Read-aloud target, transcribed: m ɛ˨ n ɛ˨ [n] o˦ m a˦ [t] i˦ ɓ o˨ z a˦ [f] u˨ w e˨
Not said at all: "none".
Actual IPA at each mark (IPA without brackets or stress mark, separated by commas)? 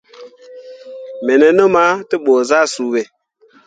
n, t, s